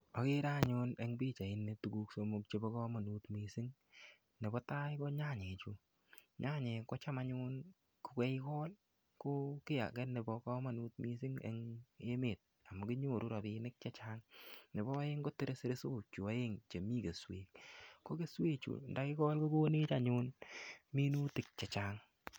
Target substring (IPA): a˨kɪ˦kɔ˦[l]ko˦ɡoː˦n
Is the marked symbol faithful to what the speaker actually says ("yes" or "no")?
yes